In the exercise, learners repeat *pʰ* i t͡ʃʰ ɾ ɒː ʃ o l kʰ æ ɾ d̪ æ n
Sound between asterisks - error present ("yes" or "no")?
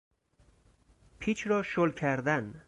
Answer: no